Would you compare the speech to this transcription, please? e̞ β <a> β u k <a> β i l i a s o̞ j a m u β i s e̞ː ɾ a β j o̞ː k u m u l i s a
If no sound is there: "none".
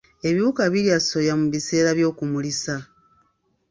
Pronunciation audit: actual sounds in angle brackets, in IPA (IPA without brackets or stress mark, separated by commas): i, a